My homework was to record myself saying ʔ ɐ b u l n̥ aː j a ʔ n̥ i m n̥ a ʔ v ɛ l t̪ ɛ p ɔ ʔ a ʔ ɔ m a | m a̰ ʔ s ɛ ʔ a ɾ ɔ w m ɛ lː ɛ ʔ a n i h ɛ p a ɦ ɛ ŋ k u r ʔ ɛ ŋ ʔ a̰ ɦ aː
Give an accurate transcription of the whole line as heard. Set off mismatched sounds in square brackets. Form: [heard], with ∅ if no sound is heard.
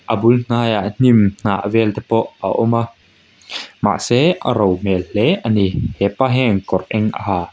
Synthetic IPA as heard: ʔ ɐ b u l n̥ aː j a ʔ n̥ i m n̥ a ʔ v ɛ l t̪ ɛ p ɔ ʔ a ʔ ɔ m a | m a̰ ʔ s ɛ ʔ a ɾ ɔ w m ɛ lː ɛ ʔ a n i h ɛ p a ɦ ɛ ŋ k [ɔ] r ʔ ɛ ŋ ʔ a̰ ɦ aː